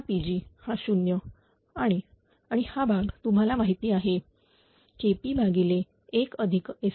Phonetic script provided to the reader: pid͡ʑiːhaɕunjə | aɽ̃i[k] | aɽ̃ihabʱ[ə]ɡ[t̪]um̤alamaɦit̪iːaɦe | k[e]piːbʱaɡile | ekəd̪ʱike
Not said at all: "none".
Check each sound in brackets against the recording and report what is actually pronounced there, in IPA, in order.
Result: none, a, t̪, e

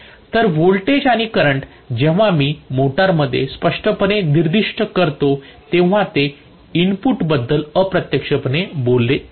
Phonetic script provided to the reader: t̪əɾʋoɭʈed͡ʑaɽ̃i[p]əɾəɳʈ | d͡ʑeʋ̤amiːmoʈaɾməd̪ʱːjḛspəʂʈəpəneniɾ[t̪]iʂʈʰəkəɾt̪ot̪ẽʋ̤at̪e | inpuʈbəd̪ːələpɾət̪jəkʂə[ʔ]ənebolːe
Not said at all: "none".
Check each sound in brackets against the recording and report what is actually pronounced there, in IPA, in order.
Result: k, d̪, p

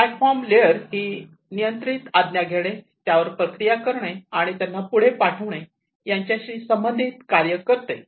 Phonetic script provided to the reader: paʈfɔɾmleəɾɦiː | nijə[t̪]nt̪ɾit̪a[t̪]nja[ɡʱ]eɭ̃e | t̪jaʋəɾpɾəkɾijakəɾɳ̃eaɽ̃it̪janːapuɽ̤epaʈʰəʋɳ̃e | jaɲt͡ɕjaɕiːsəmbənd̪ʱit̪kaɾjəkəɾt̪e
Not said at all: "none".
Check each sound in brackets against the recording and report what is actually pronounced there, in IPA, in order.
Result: none, d̪, ɡʱ

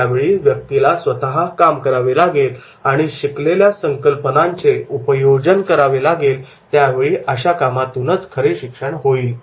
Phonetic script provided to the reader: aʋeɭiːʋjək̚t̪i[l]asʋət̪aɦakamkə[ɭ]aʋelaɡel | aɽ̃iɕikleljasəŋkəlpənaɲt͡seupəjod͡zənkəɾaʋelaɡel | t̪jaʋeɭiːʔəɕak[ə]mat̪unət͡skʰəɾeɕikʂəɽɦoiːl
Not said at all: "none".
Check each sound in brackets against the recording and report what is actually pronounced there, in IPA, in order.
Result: l, ɾ, a

